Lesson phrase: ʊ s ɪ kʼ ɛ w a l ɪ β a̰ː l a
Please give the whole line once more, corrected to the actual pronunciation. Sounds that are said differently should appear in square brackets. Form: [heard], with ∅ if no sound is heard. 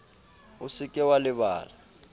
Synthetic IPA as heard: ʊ s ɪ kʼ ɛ w a l ɪ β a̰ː l a